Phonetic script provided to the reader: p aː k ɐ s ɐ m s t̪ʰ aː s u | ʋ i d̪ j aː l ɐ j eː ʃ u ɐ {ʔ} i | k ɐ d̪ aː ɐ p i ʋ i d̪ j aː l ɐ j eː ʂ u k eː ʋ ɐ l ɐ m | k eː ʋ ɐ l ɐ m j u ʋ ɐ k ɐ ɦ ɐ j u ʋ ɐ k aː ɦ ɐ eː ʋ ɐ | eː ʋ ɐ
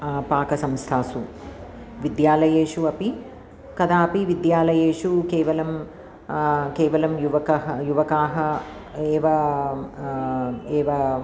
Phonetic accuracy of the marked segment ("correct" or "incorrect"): incorrect